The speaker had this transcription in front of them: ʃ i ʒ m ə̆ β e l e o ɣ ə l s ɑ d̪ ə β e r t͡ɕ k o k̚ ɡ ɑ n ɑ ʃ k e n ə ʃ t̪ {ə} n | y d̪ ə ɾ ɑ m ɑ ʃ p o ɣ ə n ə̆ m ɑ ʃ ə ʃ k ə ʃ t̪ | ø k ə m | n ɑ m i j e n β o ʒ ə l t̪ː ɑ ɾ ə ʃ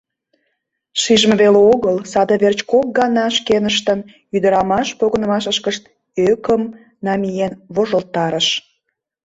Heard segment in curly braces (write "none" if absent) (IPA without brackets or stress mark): ə